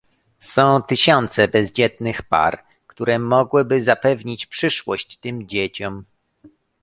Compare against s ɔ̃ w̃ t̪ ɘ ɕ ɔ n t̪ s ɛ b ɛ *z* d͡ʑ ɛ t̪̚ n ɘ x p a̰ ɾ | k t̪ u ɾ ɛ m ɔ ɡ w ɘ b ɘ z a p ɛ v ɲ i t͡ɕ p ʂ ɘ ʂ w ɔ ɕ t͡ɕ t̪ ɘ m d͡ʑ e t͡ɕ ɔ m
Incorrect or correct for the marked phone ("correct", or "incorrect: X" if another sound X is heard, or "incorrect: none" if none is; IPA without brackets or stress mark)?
correct